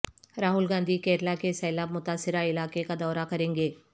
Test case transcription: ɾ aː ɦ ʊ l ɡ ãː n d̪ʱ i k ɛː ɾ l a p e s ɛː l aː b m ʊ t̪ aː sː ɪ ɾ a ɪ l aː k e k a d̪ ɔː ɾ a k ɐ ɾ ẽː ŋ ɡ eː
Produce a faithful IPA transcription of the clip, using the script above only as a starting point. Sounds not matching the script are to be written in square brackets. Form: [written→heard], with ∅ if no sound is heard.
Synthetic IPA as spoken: ɾ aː ɦ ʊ l ɡ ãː n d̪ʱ i k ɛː ɾ l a [p→k] e s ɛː l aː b m ʊ t̪ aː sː ɪ ɾ a ɪ l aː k e k a d̪ ɔː ɾ a k ɐ ɾ ẽː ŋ ɡ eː